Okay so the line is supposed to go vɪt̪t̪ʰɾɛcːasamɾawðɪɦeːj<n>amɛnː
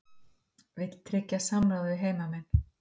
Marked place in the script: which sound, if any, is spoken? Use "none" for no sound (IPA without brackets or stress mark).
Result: m